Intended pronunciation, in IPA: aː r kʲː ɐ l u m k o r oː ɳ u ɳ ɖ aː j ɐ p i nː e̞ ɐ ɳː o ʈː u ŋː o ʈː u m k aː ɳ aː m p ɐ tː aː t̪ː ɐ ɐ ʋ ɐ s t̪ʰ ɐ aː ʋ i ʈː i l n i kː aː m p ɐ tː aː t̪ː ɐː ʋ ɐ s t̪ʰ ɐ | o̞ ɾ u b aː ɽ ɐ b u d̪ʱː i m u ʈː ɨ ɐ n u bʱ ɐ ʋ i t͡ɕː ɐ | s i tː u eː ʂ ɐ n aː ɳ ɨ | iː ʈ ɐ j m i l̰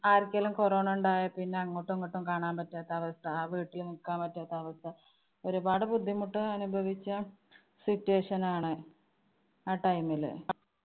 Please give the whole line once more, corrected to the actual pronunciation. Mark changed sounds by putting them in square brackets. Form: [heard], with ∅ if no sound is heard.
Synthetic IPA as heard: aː r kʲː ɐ l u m k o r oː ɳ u ɳ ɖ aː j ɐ p i nː e̞ ɐ [ŋː] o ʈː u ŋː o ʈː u m k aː ɳ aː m p ɐ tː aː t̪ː ɐ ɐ ʋ ɐ s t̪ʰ ɐ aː ʋ [iː] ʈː i l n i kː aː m p ɐ tː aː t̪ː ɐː ʋ ɐ s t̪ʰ ɐ | o̞ ɾ u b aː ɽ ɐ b u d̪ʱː i m u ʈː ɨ ɐ n u bʱ ɐ ʋ i t͡ɕː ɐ | s i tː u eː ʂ ɐ n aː ɳ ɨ | [aː] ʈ ɐ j m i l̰

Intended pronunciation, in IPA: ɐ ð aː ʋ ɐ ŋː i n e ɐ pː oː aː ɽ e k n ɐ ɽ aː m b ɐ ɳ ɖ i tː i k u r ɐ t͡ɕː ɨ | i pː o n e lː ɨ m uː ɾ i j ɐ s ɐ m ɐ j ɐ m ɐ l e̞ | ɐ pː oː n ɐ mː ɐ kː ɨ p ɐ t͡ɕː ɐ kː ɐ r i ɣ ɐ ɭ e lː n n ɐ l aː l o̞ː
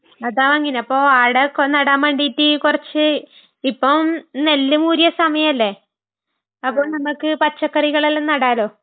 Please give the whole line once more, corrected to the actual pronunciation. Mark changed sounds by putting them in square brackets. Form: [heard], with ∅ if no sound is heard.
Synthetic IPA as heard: ɐ ð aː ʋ ɐ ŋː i n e ɐ pː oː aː ɽ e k n ɐ ɽ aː m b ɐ ɳ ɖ i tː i k u r ɐ t͡ɕː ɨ | i pː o n e lː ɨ m uː ɾ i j ɐ s ɐ m ɐ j ɐ m ɐ [lː] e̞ | ɐ pː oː n ɐ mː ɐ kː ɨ p ɐ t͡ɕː ɐ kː ɐ r i ɣ ɐ ɭ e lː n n ɐ [ɽ] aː l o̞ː

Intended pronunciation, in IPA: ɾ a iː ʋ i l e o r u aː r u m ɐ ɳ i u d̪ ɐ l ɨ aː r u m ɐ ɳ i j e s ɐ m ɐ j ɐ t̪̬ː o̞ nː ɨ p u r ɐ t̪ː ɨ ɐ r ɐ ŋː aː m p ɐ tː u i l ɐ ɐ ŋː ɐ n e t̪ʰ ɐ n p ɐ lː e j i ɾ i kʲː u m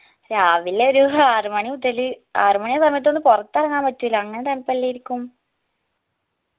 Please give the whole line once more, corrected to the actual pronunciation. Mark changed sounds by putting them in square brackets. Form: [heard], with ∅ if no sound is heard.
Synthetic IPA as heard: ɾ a [aː] ʋ i l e o [ɾ] u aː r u m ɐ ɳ i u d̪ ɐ l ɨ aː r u m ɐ ɳ i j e s ɐ m ɐ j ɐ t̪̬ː o̞ nː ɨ p u r ɐ t̪ː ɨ ɐ r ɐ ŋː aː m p ɐ tː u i l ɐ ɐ ŋː ɐ n e [t̪] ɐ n p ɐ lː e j i ɾ i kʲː u m

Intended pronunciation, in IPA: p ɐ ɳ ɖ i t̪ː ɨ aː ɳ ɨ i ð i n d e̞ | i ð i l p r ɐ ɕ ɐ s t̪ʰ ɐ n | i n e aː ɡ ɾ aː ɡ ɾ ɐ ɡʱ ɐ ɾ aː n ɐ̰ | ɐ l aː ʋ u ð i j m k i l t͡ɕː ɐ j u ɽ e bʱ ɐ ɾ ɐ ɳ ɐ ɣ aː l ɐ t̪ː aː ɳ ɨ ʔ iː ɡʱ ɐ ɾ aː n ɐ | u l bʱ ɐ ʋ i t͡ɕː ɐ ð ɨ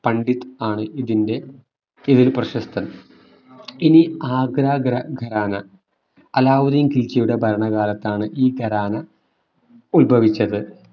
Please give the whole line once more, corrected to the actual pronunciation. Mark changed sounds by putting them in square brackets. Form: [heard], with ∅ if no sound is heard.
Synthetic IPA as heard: p ɐ ɳ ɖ i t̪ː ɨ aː ɳ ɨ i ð i n d e̞ | i ð i l p r ɐ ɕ ɐ s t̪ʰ ɐ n | i n [i] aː ɡ ɾ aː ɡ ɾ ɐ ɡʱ ɐ ɾ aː n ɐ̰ | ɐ l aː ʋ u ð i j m k i l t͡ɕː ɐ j u ɽ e bʱ ɐ ɾ ɐ ɳ ɐ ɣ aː l ɐ t̪ː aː ɳ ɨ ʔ iː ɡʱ ɐ ɾ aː n ɐ | u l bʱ ɐ ʋ i t͡ɕː ɐ ð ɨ

